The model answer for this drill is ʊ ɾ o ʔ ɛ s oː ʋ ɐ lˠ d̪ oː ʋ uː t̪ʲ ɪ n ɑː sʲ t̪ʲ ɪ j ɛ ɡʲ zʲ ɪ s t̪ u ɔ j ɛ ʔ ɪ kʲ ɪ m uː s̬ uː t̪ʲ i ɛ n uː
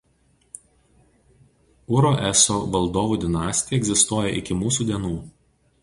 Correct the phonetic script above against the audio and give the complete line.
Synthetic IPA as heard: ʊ ɾ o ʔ ɛ s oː ʋ ɐ lˠ d̪ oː ʋ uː d̪ʲ ɪ n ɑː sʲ t̪ʲ ɪ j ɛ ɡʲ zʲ ɪ s t̪ u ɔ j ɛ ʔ ɪ kʲ ɪ m uː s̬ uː d̪ʲ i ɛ n uː

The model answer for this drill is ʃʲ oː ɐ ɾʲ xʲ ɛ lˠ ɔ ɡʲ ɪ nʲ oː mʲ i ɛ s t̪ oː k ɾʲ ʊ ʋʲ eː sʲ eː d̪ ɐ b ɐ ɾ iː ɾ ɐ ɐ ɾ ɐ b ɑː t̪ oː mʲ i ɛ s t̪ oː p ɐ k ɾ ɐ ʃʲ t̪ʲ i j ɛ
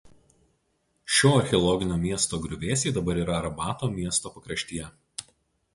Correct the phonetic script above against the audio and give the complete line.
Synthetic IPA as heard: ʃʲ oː ɐ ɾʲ xʲ ɛ lˠ ɔ ɡʲ ɪ nʲ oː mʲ i ɛ s t̪ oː ɡ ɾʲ ʊ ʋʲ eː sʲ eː d̪ ɐ b ɐ ɾ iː ɾ ɐ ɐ ɾ ɐ b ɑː t̪ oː mʲ i ɛ s t̪ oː p ɐ k ɾ ɐ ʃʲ t̪ʲ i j ɛ

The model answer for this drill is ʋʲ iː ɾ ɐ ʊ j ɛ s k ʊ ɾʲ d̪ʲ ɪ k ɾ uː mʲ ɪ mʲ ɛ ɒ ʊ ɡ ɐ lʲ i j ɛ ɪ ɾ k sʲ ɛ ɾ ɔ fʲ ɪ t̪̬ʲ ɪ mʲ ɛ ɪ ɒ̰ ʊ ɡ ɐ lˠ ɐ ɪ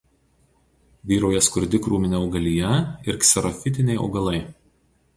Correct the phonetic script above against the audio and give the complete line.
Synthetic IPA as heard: ʋʲ iː ɾ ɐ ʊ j ɛ s k ʊ ɾʲ d̪ʲ ɪ k ɾ uː mʲ ɪ nʲ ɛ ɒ ʊ ɡ ɐ lʲ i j ɛ ɪ ɾ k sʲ ɛ ɾ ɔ fʲ ɪ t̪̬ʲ ɪ nʲ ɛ ɪ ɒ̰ ʊ ɡ ɐ lˠ ɐ ɪ

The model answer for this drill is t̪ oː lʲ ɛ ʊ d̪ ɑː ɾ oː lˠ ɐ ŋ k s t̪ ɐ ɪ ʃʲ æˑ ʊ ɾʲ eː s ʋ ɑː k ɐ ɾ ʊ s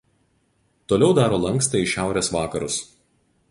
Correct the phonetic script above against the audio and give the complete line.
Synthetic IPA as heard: t̪ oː lʲ ɛ ʊ d̪ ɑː ɾ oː lˠ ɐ ŋ k s t̪ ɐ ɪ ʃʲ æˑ ʊ ɾʲ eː s ʋ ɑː k ɐ ɾ ʊ s

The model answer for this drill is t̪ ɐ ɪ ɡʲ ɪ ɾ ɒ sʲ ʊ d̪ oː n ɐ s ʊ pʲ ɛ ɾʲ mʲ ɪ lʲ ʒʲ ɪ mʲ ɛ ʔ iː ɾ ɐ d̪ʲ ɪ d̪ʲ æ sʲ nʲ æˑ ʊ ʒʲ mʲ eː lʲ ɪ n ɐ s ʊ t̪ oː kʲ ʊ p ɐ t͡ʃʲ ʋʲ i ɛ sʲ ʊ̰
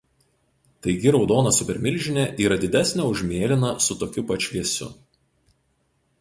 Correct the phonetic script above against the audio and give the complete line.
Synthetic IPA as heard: t̪ ɐ ɪ ɡʲ ɪ ɾ ɒ ʊ d̪ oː n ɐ s ʊ pʲ ɛ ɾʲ mʲ ɪ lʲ ʒʲ ɪ nʲ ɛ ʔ iː ɾ ɐ d̪ʲ ɪ d̪ʲ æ sʲ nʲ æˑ ʊ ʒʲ mʲ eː lʲ ɪ n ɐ s ʊ t̪ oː kʲ ʊ p ɐ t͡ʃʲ ʋʲ i ɛ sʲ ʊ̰

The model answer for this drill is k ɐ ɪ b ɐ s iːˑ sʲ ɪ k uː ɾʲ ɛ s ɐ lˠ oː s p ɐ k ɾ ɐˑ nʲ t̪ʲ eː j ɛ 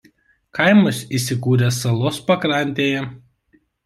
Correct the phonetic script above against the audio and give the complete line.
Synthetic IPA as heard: k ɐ ɪ m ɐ s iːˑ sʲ ɪ k uː ɾʲ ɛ s ɐ lˠ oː s p ɐ k ɾ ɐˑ nʲ t̪ʲ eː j ɛ

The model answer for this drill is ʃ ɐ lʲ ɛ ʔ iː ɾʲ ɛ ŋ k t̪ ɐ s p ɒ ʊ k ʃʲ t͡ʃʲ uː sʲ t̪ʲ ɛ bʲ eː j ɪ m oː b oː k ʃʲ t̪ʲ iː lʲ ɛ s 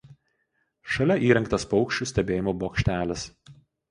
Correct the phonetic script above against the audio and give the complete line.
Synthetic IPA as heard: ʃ ɐ lʲ ɛ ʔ iː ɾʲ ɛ ŋ k t̪ ɐ s p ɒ ʊ k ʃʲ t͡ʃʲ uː sʲ t̪ʲ ɛ bʲ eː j ɪ m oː b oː k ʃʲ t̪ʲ æː lʲ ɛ s

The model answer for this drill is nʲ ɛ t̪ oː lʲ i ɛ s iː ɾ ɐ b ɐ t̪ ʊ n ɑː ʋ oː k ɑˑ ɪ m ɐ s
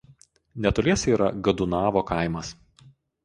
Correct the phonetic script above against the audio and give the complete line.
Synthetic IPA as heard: nʲ ɛ t̪ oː lʲ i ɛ s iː ɾ ɐ ɡ ɐ d̪ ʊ n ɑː ʋ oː k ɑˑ ɪ m ɐ s

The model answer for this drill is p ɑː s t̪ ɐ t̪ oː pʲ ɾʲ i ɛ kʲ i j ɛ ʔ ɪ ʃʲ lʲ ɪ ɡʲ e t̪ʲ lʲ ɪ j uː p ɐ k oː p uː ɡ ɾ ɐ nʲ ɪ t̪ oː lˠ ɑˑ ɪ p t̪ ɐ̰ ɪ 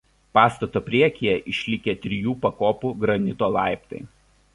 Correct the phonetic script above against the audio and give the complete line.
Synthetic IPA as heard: p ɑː s t̪ ɐ t̪ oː pʲ ɾʲ i ɛ kʲ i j ɛ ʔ ɪ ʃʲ lʲ ɪ kʲ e t̪ʲ ɾʲ ɪ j uː p ɐ k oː p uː ɡ ɾ ɐ nʲ ɪ t̪ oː lˠ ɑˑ ɪ p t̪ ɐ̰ ɪ

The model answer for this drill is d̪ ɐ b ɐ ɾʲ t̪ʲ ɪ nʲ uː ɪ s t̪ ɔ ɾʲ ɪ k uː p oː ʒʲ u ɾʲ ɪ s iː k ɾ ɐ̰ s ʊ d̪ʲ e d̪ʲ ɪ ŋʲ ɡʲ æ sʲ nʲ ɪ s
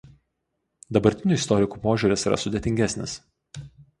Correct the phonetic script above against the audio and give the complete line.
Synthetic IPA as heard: d̪ ɐ b ɐ ɾʲ t̪ʲ ɪ nʲ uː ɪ s t̪ ɔ ɾʲ ɪ k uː p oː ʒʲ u ɾʲ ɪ s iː ɾ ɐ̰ s ʊ d̪ʲ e t̪ʲ ɪ ŋʲ ɡʲ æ sʲ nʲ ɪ s

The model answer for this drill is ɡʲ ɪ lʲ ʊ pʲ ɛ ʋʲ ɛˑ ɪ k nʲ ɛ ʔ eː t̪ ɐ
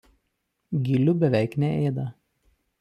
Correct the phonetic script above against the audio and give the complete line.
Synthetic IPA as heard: ɡʲ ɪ lʲ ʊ bʲ ɛ ʋʲ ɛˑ ɪ k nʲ ɛ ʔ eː d̪ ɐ

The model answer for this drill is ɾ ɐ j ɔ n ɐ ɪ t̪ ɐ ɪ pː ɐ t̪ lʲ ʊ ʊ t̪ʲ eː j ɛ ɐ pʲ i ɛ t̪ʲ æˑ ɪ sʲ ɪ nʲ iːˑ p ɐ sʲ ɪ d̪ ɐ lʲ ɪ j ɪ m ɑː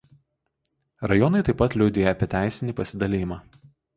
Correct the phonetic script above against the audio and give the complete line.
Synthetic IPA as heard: ɾ ɐ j ɔ n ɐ ɪ t̪ ɐ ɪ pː ɐ t̪ lʲ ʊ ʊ d̪ʲ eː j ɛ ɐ pʲ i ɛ t̪ʲ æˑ ɪ sʲ ɪ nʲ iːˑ p ɐ sʲ ɪ d̪ ɐ lʲ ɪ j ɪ m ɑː

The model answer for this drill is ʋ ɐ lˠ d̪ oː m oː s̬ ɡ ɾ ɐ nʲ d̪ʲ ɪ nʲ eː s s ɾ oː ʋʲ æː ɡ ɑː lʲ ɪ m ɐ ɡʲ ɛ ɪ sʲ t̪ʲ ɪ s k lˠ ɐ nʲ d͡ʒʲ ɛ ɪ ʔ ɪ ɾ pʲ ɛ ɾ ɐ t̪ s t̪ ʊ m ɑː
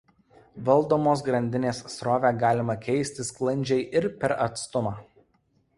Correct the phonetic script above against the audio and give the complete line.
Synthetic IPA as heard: ʋ ɐ lˠ d̪ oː m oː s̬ ɡ ɾ ɐ nʲ d̪ʲ ɪ nʲ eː s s ɾ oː ʋʲ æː ɡ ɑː lʲ ɪ m ɐ kʲ ɛ ɪ sʲ t̪ʲ ɪ s k lˠ ɐ nʲ d͡ʒʲ ɛ ɪ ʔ ɪ ɾ pʲ ɛ ɾ ɐ t̪ s t̪ ʊ m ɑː

